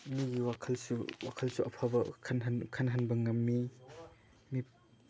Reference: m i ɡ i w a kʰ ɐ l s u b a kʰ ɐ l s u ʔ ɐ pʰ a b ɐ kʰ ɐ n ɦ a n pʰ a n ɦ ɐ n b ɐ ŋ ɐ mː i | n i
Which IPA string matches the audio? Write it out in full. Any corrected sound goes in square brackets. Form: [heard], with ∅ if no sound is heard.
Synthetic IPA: m i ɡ i w a kʰ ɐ l s u [w] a kʰ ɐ l s u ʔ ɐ pʰ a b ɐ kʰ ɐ n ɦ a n [kʰ] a n ɦ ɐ n b ɐ ŋ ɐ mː i | [m] i